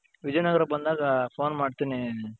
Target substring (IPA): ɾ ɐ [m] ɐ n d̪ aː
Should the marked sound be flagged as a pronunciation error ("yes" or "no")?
yes